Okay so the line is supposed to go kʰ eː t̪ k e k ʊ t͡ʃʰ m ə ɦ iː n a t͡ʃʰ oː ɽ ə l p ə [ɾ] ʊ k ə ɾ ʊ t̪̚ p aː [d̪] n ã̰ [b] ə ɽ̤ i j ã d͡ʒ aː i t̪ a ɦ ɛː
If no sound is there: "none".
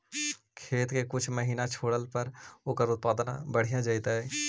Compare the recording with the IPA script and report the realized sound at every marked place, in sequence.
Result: ɾ, d̪, b

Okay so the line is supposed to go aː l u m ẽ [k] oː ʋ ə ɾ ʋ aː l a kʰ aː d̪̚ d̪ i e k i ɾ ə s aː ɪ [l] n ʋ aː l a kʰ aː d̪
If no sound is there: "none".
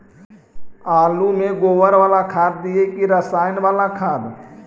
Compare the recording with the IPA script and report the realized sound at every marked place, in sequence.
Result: ɡ, none

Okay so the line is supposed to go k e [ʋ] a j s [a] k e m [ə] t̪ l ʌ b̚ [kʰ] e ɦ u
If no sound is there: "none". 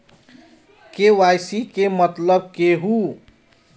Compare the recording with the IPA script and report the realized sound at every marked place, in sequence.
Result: w, i, ʌ, k

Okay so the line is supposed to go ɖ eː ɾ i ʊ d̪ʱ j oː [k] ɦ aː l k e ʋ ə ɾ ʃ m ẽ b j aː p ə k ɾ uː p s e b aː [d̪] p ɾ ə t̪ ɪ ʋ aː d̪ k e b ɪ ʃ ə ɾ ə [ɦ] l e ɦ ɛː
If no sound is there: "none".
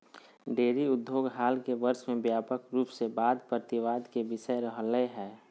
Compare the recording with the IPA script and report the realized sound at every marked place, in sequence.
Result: ɡ, d̪, ɦ

